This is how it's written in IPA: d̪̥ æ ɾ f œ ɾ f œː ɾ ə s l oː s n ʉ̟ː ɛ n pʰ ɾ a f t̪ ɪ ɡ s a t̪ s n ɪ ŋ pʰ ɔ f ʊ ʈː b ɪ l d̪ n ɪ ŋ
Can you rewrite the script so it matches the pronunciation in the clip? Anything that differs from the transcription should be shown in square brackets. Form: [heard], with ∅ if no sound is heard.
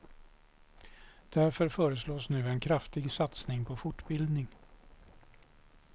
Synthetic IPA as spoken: d̪̥ æ ɾ f œ ɾ f œː ɾ ə s l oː s n ʉ̟ː ɛ n [kʰ] ɾ a f t̪ ɪ ɡ s a t̪ s n ɪ ŋ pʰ ɔ f ʊ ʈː b ɪ l d̪ n ɪ ŋ

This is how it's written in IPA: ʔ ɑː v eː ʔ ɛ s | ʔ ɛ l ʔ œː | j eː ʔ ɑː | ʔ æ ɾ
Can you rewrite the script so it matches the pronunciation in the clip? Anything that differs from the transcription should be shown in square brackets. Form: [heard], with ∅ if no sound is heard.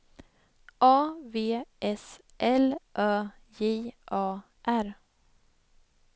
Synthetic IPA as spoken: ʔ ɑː v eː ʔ ɛ s | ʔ ɛ l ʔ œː | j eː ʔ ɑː | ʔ æ ɾ

